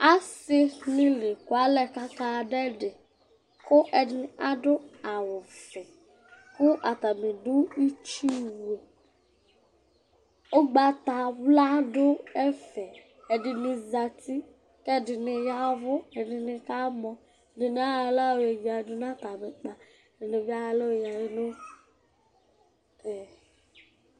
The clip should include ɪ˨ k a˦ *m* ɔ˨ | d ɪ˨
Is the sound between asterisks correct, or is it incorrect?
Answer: correct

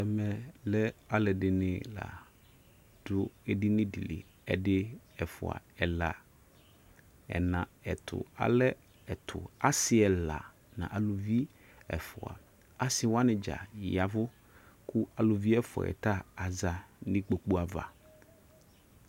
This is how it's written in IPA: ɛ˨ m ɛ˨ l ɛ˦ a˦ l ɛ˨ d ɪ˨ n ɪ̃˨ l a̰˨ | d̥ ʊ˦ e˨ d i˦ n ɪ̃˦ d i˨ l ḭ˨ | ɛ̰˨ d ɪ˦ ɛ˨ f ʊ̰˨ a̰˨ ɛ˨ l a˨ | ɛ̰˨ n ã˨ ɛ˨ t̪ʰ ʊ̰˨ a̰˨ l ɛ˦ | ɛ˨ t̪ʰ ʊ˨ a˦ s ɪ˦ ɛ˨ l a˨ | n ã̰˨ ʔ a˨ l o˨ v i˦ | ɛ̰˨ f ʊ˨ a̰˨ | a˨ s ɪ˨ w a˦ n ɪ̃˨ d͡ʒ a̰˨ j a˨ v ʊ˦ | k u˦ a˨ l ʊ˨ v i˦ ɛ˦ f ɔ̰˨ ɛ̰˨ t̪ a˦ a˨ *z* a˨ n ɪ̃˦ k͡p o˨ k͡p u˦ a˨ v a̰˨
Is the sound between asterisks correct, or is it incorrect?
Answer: correct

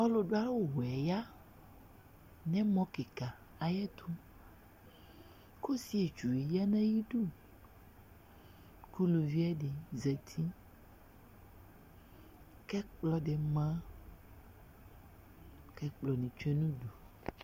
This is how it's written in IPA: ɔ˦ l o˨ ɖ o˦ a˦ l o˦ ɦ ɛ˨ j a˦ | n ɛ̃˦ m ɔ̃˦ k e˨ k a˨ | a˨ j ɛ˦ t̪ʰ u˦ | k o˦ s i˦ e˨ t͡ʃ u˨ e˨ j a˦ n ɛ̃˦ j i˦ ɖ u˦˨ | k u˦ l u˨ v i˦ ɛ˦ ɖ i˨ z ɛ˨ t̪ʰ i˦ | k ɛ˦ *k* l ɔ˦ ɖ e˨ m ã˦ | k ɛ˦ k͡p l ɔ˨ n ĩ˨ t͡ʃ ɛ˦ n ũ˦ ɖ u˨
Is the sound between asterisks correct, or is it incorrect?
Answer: incorrect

